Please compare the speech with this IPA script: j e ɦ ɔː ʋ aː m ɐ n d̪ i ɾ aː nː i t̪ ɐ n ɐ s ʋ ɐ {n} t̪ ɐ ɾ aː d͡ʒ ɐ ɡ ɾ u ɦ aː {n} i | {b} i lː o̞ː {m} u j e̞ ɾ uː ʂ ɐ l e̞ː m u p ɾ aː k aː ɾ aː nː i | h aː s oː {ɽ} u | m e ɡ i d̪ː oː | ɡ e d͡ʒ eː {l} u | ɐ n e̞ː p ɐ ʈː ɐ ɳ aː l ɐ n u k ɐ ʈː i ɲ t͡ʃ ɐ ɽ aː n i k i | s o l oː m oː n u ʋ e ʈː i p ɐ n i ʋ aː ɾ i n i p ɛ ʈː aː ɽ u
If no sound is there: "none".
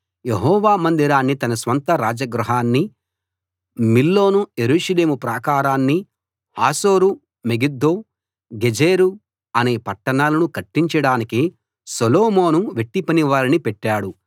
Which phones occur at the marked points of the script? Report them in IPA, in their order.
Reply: n, nː, m, n, ɾ, ɾ

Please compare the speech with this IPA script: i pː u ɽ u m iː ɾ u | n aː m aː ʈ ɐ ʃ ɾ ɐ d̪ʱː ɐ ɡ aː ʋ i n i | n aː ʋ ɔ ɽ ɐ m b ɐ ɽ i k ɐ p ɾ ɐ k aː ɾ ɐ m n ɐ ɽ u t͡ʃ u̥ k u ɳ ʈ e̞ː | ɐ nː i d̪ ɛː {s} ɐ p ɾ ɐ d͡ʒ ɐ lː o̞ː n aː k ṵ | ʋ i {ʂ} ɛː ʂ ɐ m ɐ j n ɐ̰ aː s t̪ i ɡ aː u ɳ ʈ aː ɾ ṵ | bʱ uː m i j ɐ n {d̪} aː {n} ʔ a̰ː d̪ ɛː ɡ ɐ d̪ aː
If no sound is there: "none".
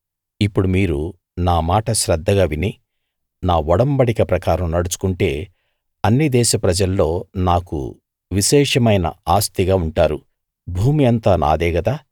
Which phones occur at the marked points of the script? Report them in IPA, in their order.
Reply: ʃ, ʃ, t̪, n

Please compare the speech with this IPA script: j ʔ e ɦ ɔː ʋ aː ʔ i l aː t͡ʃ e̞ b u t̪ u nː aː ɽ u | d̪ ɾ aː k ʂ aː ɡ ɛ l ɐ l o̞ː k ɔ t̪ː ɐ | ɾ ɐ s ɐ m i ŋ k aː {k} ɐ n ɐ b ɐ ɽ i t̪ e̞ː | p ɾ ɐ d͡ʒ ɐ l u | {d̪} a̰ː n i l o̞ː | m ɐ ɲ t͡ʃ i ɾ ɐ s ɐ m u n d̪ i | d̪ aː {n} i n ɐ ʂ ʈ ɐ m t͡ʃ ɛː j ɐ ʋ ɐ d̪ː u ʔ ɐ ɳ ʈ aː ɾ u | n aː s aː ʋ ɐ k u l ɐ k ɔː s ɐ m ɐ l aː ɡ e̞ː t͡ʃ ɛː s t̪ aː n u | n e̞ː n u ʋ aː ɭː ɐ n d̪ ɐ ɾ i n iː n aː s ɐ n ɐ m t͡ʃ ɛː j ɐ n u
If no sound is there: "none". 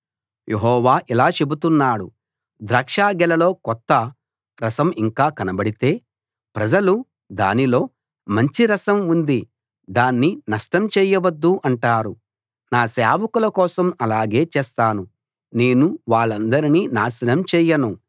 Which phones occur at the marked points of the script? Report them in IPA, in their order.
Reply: k, d̪, nː

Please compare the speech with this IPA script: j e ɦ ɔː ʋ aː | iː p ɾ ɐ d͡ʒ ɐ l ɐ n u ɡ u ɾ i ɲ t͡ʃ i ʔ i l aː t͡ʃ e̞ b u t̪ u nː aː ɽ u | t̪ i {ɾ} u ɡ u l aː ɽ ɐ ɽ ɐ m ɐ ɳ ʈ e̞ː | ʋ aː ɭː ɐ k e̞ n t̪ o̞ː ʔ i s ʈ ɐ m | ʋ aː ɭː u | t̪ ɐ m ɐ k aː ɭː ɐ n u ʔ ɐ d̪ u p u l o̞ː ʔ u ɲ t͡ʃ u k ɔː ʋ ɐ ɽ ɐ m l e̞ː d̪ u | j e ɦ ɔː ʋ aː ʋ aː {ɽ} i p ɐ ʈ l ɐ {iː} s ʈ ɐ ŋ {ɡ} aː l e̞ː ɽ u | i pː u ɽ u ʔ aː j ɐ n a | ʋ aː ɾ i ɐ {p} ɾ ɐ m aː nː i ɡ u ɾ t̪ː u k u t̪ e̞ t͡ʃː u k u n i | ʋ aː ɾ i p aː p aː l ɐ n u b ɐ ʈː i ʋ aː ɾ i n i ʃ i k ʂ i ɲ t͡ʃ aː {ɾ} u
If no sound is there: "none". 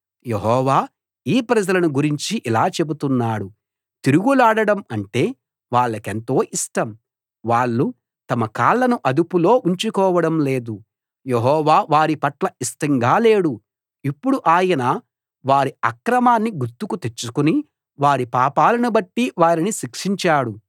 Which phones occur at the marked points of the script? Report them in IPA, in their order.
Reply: ɾ, ɾ, i, ɡ, k, ɽ

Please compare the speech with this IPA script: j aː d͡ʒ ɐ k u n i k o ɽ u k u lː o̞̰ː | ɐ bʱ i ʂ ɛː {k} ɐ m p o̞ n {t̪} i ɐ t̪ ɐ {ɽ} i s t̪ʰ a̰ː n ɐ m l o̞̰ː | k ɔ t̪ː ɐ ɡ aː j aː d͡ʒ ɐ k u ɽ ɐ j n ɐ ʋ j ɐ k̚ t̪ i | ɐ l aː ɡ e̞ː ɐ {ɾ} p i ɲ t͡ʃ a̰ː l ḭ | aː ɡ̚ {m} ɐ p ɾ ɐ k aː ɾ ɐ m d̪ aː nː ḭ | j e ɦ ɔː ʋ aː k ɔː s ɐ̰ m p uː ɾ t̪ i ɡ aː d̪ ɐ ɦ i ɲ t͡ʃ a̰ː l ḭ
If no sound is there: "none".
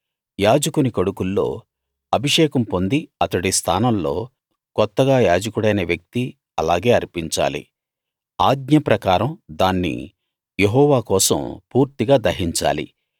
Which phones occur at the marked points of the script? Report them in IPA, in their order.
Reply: k, d̪, ɽ, ɾ, ɲ

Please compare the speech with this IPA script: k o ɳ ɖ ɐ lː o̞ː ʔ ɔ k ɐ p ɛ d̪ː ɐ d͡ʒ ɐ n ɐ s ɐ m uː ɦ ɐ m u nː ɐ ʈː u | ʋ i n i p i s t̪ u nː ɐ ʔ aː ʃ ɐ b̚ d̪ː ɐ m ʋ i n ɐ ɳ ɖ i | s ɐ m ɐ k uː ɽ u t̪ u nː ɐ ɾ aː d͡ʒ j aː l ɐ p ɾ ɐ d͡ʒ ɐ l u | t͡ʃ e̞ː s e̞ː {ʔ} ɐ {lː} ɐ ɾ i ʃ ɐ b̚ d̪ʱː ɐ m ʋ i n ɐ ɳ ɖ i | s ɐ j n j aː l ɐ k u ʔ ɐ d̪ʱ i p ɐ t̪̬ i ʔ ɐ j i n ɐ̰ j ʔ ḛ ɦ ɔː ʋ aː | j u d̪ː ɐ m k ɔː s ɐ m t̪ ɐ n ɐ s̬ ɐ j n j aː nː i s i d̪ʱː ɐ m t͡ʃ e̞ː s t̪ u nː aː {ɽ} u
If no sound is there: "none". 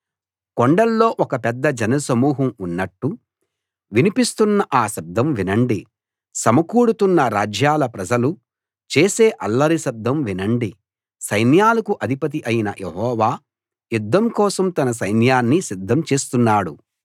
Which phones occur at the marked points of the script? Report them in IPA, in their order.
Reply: ʔ, lː, ɽ

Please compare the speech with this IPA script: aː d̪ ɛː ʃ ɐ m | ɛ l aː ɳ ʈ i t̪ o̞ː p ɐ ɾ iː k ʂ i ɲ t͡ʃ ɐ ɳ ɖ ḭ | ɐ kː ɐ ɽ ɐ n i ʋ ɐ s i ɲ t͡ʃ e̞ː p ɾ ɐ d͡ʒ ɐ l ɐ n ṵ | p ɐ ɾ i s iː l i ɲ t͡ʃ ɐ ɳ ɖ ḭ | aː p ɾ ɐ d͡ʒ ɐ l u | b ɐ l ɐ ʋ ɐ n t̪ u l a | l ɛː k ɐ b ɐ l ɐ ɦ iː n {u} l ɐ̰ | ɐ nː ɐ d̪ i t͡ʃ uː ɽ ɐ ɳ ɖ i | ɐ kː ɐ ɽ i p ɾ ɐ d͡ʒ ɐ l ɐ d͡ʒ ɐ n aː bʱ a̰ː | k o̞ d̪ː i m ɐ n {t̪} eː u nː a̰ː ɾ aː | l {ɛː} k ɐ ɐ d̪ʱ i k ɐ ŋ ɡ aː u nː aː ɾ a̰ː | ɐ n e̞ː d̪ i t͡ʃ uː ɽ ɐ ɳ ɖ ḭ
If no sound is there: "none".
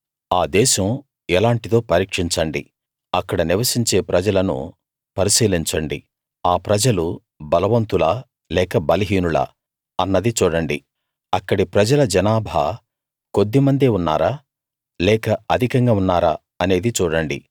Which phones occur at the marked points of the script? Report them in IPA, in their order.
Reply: u, d̪, ɛː

